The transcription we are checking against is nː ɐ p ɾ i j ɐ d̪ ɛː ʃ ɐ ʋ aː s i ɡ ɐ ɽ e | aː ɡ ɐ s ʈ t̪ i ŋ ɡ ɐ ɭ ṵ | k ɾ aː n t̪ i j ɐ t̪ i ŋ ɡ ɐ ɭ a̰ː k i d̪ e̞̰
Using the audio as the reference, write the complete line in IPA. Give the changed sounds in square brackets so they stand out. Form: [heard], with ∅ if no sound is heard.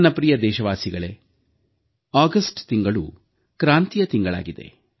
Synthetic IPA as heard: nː ɐ p ɾ i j ɐ d̪ ɛː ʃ ɐ ʋ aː s i ɡ ɐ [ɭ] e | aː ɡ ɐ s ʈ t̪ i ŋ ɡ ɐ ɭ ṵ | k ɾ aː n t̪ i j ɐ t̪ i ŋ ɡ ɐ ɭ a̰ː [ɡ] i d̪ e̞̰